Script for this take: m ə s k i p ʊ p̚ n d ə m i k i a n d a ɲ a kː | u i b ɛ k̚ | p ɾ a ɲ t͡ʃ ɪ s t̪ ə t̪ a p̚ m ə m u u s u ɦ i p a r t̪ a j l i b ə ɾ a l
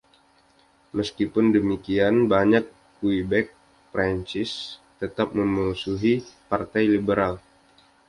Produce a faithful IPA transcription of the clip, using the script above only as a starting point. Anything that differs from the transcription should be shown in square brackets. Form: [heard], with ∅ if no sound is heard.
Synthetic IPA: m ə s k i p ʊ [∅] n d ə m i k i a n [b] a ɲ a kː | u i b ɛ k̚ | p ɾ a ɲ t͡ʃ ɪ s t̪ ə t̪ a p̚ m ə m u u s u ɦ i p a r t̪ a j l i b ə ɾ a l